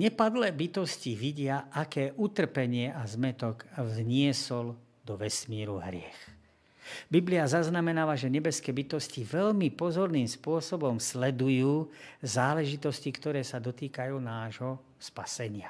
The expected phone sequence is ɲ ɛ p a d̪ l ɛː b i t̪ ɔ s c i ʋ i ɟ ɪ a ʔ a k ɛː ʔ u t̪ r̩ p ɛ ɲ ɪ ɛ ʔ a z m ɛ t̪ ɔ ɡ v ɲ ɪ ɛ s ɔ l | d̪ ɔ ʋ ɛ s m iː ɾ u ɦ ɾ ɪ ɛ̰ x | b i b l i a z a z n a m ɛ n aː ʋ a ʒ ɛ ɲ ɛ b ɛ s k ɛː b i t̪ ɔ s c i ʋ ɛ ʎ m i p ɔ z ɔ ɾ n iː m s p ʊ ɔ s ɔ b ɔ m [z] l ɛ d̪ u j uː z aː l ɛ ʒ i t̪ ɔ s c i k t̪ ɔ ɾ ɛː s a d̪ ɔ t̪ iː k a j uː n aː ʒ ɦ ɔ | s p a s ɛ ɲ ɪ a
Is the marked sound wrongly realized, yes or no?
yes